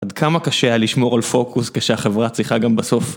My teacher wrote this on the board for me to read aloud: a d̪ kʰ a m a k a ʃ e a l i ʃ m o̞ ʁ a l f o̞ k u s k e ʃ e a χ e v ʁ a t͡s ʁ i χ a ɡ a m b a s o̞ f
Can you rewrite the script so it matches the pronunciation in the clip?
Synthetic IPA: a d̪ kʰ a m a k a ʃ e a l i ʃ m o̞ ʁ a l f o̞ k u s k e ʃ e a χ e v ʁ a t͡s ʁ i χ a ɡ a m b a s o̞ f